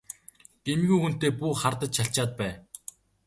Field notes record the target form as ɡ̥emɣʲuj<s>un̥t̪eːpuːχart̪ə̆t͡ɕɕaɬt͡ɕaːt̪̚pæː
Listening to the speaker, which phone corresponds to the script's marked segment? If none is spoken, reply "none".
x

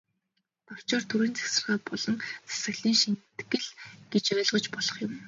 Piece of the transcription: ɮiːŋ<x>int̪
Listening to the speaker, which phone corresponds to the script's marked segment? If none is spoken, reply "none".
ʃ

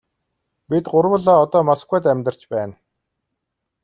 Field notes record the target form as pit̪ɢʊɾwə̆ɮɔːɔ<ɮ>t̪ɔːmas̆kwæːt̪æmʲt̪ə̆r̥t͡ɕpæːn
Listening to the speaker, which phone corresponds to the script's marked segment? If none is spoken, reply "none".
none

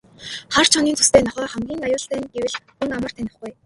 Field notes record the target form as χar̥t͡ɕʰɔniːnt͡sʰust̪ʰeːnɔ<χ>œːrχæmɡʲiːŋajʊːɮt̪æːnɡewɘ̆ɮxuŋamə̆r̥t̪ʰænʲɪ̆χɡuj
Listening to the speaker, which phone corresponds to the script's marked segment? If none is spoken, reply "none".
χ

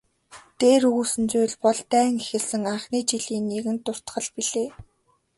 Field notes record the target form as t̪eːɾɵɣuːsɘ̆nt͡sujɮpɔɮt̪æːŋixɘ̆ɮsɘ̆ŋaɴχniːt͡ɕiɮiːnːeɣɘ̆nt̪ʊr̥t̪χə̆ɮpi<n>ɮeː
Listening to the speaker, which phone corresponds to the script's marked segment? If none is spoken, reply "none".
none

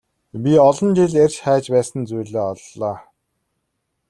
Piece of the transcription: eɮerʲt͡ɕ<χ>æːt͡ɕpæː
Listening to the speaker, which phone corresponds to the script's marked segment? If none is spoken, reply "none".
χ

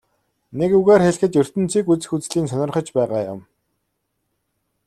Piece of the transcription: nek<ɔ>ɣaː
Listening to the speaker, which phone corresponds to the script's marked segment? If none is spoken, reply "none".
u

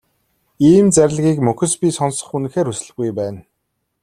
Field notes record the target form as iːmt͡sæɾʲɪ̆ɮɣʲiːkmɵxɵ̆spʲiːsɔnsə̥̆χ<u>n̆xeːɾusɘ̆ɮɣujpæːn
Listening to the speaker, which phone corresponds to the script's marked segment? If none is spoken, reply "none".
u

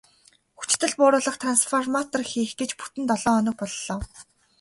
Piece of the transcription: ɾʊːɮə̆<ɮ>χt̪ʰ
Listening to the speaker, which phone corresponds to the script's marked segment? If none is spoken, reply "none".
none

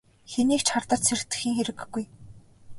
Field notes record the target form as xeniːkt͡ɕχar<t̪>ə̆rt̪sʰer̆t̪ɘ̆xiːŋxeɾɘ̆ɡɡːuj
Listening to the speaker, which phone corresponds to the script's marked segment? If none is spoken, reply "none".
t̪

